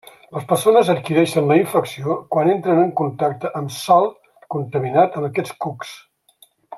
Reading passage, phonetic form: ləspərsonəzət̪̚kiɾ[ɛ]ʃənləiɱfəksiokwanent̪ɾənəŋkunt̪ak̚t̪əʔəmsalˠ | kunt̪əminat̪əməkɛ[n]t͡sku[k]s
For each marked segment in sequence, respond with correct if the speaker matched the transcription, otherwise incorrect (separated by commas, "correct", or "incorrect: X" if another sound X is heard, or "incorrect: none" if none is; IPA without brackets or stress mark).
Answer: correct, incorrect: none, correct